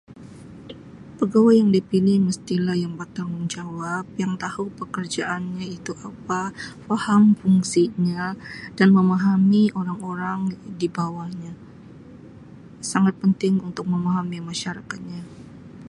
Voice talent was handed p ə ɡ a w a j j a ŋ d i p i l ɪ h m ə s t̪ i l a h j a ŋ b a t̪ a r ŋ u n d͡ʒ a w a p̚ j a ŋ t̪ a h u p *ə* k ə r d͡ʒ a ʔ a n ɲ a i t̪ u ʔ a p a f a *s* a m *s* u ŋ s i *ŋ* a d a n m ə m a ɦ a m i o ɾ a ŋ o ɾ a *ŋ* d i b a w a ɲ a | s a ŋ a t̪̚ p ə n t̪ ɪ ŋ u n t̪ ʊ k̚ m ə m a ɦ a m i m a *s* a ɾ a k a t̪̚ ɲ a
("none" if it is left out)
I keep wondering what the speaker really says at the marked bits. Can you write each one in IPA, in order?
ə, h, f, ɲ, ŋ, ʃ

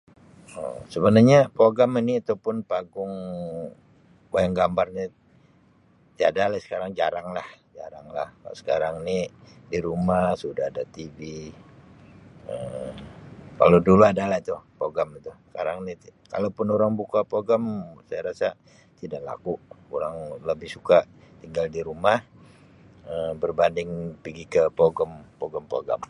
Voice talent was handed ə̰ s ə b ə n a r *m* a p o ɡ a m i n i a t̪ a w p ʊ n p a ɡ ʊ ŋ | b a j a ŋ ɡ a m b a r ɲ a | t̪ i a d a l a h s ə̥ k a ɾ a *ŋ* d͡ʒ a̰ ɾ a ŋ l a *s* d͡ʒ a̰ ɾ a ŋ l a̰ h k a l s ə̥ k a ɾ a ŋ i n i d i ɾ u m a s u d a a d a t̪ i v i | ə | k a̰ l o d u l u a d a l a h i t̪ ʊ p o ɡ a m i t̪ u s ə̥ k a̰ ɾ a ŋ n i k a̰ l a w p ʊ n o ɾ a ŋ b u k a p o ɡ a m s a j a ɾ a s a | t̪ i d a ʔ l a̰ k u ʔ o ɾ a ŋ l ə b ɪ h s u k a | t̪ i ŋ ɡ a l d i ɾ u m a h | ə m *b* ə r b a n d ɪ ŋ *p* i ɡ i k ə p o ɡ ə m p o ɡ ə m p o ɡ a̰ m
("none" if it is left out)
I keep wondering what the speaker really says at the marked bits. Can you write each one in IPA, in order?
ɲ, ŋ, h, b, p

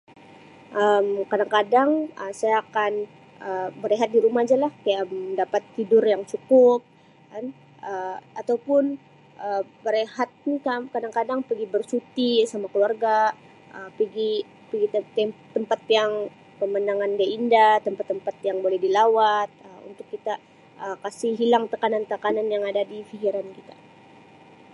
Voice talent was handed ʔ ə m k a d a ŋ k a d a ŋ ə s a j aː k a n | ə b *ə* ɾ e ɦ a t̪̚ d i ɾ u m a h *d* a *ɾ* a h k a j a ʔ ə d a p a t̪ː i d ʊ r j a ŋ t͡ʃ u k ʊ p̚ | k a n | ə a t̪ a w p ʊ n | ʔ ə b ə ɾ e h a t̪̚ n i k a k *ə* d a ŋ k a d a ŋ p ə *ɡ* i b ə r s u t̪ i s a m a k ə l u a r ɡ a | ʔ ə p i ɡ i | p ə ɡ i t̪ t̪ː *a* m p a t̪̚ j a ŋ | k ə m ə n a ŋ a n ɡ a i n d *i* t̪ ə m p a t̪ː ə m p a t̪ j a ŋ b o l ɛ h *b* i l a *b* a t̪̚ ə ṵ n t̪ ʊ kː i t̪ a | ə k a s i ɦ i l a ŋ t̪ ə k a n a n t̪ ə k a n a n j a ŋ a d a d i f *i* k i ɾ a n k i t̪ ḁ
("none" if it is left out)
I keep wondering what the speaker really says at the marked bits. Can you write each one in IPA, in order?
ə, d͡ʒ, l, a, ɡ, ə, a, d, w, i

